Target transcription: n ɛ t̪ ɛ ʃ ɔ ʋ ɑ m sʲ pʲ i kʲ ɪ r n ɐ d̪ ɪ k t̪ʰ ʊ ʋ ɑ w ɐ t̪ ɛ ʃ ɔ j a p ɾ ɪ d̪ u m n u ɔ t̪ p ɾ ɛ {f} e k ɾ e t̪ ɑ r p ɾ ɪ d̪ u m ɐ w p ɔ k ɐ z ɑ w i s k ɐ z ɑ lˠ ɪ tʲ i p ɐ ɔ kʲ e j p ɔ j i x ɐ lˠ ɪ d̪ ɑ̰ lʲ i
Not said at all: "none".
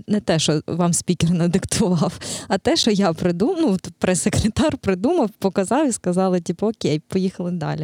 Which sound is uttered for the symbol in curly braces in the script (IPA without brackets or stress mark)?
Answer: s